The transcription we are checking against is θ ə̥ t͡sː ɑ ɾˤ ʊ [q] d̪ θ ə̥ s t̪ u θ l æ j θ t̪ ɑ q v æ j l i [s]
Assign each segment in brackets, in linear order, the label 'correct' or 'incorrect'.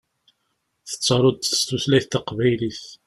incorrect: none, incorrect: θ

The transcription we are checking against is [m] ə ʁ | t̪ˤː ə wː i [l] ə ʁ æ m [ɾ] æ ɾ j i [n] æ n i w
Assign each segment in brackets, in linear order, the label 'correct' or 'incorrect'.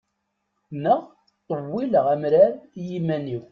incorrect: n, correct, correct, incorrect: m

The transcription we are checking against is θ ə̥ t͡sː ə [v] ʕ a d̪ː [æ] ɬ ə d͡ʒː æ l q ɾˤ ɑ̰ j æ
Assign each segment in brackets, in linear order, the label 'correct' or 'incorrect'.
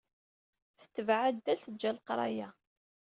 correct, correct

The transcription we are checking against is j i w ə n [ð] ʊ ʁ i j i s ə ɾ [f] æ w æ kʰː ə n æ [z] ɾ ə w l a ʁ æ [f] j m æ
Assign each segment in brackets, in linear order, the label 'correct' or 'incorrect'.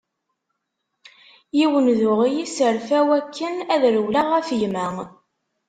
correct, correct, incorrect: ð, correct

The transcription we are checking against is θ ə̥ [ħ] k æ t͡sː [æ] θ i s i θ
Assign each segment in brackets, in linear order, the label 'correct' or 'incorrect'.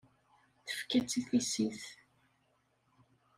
incorrect: f, incorrect: i

